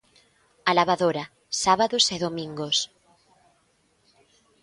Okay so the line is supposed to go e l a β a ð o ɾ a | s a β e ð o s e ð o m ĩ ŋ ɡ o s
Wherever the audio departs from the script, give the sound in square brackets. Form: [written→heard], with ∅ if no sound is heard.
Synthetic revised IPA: [e→a] l a β a ð o ɾ a | s a β [e→a] ð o s e ð o m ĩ ŋ ɡ o s